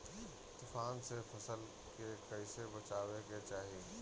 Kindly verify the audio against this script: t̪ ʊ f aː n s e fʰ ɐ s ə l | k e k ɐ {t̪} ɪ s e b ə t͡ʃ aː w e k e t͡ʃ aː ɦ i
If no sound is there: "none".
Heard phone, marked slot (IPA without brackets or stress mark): none